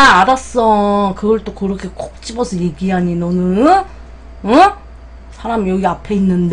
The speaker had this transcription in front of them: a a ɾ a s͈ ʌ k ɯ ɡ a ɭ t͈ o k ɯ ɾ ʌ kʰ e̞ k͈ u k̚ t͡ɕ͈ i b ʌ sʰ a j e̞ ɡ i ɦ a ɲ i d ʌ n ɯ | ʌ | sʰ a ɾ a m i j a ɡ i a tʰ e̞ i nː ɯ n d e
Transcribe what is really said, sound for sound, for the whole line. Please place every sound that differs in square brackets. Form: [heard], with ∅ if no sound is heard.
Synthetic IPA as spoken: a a ɾ a s͈ ʌ k ɯ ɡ [ʌ] ɭ t͈ o k ɯ ɾ ʌ kʰ e̞ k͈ [o] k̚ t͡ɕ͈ i b ʌ sʰ [ʌ] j e̞ ɡ i ɦ a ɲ i [n] ʌ n ɯ | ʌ | sʰ a ɾ a m i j [ʌ] ɡ i a [pʰ] e̞ i nː ɯ n d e